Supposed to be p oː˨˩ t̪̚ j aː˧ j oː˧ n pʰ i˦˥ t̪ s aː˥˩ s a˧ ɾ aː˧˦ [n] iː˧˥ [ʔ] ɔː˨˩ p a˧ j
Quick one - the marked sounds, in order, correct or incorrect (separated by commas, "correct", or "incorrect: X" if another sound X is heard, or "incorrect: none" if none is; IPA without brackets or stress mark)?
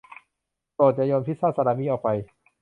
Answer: incorrect: m, correct